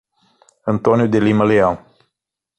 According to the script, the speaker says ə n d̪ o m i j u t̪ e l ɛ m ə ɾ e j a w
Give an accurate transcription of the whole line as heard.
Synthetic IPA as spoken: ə n t̪ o n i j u d̪ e l i m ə l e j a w